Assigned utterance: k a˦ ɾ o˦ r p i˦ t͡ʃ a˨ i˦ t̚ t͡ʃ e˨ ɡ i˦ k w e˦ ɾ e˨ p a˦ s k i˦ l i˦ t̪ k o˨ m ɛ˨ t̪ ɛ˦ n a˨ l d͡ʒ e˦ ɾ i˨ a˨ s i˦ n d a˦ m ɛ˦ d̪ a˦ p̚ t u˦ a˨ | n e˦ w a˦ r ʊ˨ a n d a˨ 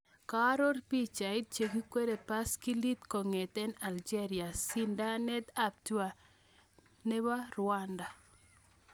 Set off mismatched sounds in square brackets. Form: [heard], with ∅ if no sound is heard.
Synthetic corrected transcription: k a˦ ɾ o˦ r p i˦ t͡ʃ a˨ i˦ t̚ t͡ʃ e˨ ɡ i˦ k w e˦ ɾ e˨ p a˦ s k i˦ l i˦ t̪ k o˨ [ŋ] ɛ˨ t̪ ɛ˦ n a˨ l d͡ʒ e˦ ɾ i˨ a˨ s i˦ n d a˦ [n] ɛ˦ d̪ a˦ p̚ t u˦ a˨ | n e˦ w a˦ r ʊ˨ a n d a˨